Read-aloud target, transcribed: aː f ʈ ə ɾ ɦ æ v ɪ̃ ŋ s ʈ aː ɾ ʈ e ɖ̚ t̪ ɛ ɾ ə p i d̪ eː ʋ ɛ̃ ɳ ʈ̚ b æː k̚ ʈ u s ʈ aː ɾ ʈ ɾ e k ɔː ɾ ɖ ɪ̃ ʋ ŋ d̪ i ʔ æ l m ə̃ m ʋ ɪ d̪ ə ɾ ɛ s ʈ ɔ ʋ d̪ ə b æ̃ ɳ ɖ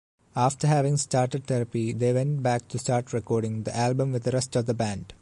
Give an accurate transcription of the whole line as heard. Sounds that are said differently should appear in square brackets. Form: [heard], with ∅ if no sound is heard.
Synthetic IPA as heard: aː f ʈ ə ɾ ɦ æ [ʋ] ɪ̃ ŋ s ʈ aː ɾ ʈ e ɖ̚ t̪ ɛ ɾ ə p i d̪ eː ʋ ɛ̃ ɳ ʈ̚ b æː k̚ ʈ u s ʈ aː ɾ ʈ ɾ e k ɔː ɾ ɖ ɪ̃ [∅] ŋ d̪ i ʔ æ l [b] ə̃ m ʋ ɪ d̪ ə ɾ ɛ s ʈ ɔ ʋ d̪ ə b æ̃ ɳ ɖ